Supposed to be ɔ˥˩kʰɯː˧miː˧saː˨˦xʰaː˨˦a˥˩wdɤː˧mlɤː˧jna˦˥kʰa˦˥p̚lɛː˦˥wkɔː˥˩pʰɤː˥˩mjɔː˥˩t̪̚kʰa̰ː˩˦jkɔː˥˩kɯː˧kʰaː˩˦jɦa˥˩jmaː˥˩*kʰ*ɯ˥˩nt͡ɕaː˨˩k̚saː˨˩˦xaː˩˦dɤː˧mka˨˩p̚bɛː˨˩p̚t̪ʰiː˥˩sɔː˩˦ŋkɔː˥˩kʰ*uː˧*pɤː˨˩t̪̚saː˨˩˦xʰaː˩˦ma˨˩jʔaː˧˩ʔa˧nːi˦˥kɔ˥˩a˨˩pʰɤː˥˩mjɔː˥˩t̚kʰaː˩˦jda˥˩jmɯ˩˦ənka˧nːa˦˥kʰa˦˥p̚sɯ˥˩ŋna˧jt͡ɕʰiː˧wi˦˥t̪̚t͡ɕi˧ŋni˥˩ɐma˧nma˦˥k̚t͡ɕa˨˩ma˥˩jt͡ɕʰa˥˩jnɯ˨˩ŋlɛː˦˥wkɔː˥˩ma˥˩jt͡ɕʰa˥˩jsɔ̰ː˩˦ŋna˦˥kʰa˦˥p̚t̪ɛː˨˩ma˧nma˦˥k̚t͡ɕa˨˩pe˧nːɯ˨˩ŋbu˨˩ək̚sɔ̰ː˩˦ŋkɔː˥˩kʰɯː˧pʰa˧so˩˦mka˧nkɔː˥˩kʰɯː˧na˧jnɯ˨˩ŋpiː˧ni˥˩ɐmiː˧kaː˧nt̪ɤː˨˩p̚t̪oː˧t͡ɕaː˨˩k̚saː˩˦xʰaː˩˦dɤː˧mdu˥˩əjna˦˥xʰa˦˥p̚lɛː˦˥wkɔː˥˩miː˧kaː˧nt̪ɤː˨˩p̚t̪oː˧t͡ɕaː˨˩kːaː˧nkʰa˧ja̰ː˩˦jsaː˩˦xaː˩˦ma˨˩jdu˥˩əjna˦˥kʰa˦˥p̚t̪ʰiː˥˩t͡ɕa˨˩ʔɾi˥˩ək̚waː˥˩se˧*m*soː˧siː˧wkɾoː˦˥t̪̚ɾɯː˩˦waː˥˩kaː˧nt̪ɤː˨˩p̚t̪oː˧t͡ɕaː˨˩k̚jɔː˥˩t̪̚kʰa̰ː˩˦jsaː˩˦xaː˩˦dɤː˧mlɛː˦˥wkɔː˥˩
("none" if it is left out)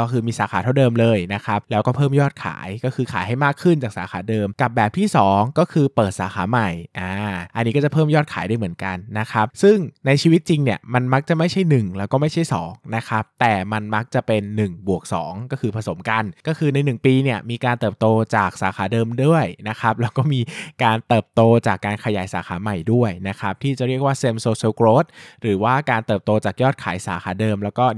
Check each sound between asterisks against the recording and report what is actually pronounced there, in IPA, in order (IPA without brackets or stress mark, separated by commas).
kʰ, ɯː˧, m